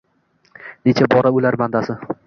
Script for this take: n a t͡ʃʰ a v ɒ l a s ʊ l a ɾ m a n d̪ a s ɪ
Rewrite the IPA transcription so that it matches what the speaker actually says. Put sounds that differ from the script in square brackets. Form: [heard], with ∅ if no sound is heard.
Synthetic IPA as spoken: n [e] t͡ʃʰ a [b] ɒ [ɾ] a [∅] ʊ l a ɾ m a n d̪ a s ɪ